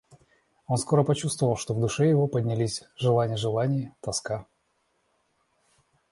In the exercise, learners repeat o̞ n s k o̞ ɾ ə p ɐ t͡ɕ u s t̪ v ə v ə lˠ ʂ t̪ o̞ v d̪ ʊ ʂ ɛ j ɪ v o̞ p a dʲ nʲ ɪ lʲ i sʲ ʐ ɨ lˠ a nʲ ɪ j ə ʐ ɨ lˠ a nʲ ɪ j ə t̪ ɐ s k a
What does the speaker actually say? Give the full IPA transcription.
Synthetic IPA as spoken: o̞ n s k o̞ ɾ ə p ɐ t͡ɕ u s t̪ v ə v ə lˠ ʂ t̪ o̞ v d̪ ʊ ʂ ɛ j ɪ v o̞ p ə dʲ nʲ ɪ lʲ i sʲ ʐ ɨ lˠ a nʲ ɪ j ə ʐ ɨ lˠ a nʲ ɪ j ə t̪ ɐ s k a